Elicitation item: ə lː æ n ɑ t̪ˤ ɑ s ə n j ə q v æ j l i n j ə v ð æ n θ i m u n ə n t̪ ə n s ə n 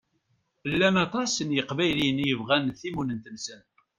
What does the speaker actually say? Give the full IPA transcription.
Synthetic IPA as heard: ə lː æ n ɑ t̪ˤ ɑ s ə n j ə q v æ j l i n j ə v ʁ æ n θ i m u n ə n t̪ ə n s ə n